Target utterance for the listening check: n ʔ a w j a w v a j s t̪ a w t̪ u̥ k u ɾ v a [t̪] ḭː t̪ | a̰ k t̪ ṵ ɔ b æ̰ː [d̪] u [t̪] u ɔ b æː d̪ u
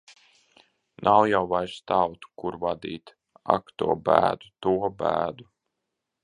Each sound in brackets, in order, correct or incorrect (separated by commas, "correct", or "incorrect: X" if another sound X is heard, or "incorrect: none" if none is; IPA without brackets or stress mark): incorrect: d̪, correct, correct